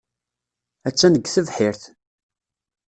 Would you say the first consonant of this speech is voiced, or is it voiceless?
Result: voiceless